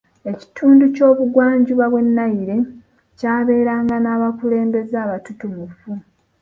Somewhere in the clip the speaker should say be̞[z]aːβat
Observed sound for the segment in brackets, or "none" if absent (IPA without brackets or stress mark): z